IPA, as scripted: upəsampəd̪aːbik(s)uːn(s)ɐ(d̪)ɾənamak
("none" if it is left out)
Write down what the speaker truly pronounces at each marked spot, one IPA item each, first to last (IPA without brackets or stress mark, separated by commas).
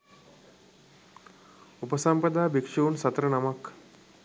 ʂ, s, t̪